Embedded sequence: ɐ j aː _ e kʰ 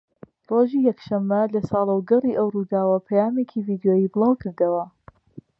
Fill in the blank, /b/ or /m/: m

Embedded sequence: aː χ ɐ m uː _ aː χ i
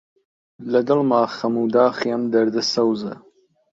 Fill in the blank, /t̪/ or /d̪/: d̪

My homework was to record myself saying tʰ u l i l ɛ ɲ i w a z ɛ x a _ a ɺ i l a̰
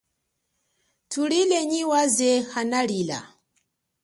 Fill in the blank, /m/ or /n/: n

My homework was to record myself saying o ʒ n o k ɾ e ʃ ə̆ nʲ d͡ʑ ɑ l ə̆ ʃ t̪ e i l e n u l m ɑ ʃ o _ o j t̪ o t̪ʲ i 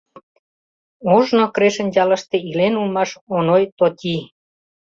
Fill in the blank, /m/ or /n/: n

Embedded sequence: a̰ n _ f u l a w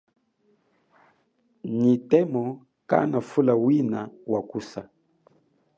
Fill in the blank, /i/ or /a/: a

